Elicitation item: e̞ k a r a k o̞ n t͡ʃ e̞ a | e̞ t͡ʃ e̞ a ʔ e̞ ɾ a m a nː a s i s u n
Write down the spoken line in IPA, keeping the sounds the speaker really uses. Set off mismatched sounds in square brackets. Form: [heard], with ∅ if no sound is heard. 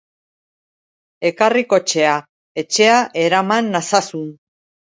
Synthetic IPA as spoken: e̞ k a r [i] k o̞ [∅] t͡ʃ e̞ a | e̞ t͡ʃ e̞ a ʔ e̞ ɾ a m a nː a s [a] s u n

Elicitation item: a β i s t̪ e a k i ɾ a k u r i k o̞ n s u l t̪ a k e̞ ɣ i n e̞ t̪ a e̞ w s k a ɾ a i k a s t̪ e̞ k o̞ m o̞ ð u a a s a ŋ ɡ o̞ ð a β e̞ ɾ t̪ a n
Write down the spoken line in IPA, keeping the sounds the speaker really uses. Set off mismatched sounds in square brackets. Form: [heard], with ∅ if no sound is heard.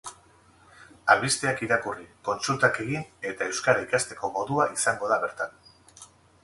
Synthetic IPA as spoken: a β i s t̪ e a k i ɾ a k u r i k o̞ n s u l t̪ a k e̞ ɣ i n e̞ t̪ a e̞ w s k a ɾ a i k a s t̪ e̞ k o̞ m o̞ ð u a [i] s a ŋ ɡ o̞ ð a β e̞ ɾ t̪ a n

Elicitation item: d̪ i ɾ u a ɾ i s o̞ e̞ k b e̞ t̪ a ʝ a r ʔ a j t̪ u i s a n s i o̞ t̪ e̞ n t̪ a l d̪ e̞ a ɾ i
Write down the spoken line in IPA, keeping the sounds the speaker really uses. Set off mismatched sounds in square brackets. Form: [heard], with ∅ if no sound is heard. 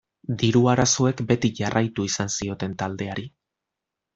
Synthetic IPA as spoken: d̪ i ɾ u a ɾ [a] s o̞ e̞ k b e̞ t̪ [i] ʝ a r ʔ a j t̪ u i s a n s i o̞ t̪ e̞ n t̪ a l d̪ e̞ a ɾ i

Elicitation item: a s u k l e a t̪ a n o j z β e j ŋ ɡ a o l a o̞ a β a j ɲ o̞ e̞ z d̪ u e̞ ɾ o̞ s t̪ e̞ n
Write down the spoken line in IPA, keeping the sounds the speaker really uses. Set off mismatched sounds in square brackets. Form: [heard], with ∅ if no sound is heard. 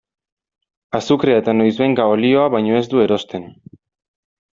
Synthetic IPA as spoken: a s u k [ɾ] e a t̪ a n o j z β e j ŋ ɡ a o l [i] o̞ a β a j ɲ o̞ e̞ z d̪ u e̞ ɾ o̞ s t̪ e̞ n

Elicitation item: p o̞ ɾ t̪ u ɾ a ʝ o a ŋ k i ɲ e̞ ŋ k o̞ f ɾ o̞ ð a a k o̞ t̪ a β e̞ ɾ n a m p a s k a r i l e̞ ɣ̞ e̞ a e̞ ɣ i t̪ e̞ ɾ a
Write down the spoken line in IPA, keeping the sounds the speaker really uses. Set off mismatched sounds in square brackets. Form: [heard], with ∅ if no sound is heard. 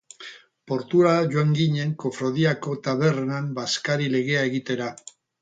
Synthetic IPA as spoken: p o̞ ɾ t̪ u ɾ a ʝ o a ŋ [ɡ] i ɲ e̞ ŋ k o̞ f ɾ o̞ ð [i] a k o̞ t̪ a β e̞ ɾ n a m [b] a s k a [ɾ] i l e̞ ɣ̞ e̞ a e̞ ɣ i t̪ e̞ ɾ a

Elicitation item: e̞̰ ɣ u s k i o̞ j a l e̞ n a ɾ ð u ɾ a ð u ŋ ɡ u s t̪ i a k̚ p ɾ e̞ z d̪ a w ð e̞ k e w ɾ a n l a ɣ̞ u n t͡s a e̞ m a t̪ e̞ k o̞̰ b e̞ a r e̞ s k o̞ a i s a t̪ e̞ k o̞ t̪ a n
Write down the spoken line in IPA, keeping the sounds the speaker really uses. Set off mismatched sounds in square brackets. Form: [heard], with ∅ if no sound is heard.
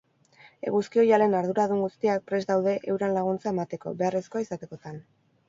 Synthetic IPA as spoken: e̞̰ ɣ u s k i o̞ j a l e̞ n a ɾ ð u ɾ a ð u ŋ ɡ u s t̪ i a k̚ p ɾ e̞ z d̪ a w ð e̞ [ʔ] e w ɾ a n l a ɣ̞ u n t͡s a e̞ m a t̪ e̞ k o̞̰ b e̞ a r e̞ s k o̞ a i s a t̪ e̞ k o̞ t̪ a n

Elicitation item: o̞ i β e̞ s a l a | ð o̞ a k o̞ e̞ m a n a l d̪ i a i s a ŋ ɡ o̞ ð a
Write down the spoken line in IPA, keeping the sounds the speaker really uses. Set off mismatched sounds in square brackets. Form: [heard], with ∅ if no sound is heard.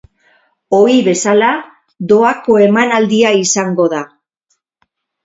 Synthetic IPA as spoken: o̞ i β e̞ s a l a | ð o̞ a k o̞ e̞ m a n a l d̪ i a i s a ŋ ɡ o̞ ð a

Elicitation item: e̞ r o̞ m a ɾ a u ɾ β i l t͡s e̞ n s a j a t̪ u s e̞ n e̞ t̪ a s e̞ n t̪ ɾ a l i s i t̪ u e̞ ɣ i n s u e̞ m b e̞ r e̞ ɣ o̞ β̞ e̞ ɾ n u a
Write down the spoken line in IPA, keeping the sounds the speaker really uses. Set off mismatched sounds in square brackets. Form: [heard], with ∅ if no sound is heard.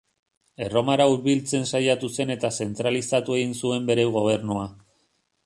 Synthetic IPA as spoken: e̞ r o̞ m a ɾ a u ɾ β i l t͡s e̞ n s a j a t̪ u s e̞ n e̞ t̪ a s e̞ n t̪ ɾ a l i s [a] t̪ u e̞ ɣ i n s u e̞ m b e̞ [ɾ] e̞ ɣ o̞ β̞ e̞ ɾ n u a

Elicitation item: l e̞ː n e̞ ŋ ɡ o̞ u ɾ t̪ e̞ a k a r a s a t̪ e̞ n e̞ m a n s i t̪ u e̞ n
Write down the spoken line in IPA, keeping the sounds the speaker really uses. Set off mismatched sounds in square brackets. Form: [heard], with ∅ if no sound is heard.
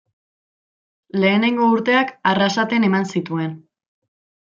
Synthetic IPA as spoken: l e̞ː n e̞ ŋ ɡ o̞ u ɾ t̪ e̞ a k a r a s a t̪ e̞ n e̞ m a n s i t̪ u e̞ n

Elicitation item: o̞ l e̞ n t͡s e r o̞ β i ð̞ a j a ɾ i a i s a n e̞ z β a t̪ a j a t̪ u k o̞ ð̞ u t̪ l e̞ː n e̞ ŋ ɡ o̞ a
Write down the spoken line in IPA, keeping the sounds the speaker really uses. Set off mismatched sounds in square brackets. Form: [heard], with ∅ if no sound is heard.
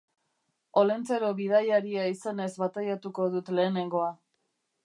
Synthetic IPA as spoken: o̞ l e̞ n t͡s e [ɾ] o̞ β i ð̞ a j a ɾ i a i s a n e̞ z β a t̪ a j a t̪ u k o̞ ð̞ u t̪ l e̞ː n e̞ ŋ ɡ o̞ a

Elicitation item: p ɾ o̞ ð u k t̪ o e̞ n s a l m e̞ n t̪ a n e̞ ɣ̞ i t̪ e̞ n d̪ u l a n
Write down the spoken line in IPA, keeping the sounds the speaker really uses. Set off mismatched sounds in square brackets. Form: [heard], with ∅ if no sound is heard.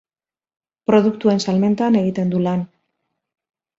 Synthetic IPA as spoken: p ɾ o̞ ð u k t̪ [u] e̞ n s a l m e̞ n t̪ a n e̞ ɣ̞ i t̪ e̞ n d̪ u l a n

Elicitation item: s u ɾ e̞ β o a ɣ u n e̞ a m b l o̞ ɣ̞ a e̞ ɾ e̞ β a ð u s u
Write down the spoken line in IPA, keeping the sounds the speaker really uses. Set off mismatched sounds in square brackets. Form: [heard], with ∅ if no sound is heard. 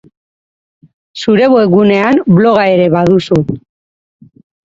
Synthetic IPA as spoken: s u ɾ e̞ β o [e] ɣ u n e̞ a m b l o̞ ɣ̞ a e̞ ɾ e̞ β a ð u s u

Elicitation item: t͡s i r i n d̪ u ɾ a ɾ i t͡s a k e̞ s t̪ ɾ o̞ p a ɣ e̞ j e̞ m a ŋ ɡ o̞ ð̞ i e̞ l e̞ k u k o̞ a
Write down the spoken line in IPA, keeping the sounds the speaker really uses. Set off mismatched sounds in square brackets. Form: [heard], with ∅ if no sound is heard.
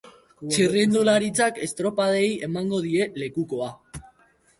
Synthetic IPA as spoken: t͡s i r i n d̪ u [l] a ɾ i t͡s a k e̞ s t̪ ɾ o̞ p a [ð] e̞ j e̞ m a ŋ ɡ o̞ ð̞ i e̞ l e̞ k u k o̞ a

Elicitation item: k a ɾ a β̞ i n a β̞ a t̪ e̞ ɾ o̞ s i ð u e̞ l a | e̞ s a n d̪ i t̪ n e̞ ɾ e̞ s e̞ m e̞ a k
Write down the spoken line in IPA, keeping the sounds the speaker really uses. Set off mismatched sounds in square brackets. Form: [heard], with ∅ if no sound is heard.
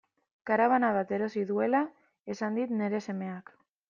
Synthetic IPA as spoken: k a ɾ a β̞ [a] n a β̞ a t̪ e̞ ɾ o̞ s i ð u e̞ l a | e̞ s a n d̪ i t̪ n e̞ ɾ e̞ s e̞ m e̞ a k

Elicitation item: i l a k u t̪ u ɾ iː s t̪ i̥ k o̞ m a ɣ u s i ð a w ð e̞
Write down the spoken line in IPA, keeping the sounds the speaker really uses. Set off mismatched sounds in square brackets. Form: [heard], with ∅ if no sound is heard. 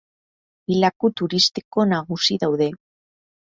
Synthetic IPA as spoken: i l a k u t̪ u ɾ [i] s t̪ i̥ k o̞ [n] a ɣ u s i ð a w ð e̞

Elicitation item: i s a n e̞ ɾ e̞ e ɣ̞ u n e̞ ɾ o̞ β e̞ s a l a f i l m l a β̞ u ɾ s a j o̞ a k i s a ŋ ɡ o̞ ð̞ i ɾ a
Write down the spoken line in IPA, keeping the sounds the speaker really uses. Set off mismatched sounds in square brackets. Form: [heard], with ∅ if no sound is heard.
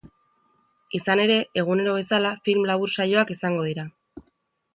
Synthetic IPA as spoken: i s a n e̞ ɾ e̞ e ɣ̞ u n e̞ ɾ o̞ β e̞ s a l a f i l m l a β̞ u ɾ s a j o̞ a k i s a ŋ ɡ o̞ ð̞ i ɾ a

